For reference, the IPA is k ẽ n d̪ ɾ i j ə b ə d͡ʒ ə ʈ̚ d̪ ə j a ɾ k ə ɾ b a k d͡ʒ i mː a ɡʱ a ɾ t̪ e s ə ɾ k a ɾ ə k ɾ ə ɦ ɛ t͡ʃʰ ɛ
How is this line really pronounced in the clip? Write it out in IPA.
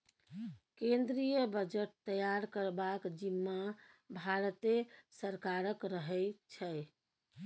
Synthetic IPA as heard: k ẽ n d̪ ɾ i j ə b ə d͡ʒ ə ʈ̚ t̪ ə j a ɾ k ə ɾ b a k d͡ʒ i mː a bʱ a ɾ t̪ e s ə ɾ k a ɾ ə k ɾ ə ɦ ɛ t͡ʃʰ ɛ